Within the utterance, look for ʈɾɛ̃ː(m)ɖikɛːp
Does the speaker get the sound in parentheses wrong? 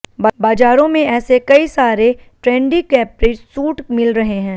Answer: yes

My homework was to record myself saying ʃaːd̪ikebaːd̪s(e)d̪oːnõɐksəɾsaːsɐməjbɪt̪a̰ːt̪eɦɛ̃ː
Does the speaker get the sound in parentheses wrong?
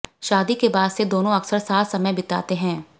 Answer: no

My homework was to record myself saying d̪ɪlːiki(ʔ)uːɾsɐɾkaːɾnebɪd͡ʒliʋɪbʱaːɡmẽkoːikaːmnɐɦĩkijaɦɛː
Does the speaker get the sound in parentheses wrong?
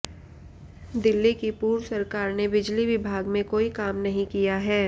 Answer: yes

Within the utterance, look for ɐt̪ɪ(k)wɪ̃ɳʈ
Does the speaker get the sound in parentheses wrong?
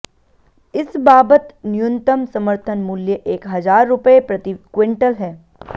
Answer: no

